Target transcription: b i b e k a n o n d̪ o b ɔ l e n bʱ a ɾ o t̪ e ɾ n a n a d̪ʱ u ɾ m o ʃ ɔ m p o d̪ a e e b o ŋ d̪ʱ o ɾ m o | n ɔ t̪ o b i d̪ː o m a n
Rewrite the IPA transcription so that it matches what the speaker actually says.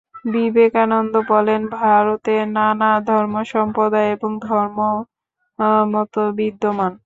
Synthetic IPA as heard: b i b e k a n o n d̪ o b ɔ l e n bʱ a ɾ o t̪ e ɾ n a n a d̪ʱ ɔ ɾ m o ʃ ɔ m p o d̪ a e e b o ŋ d̪ʱ ɔ ɾ m o | m ɔ t̪ o b i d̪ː o m a n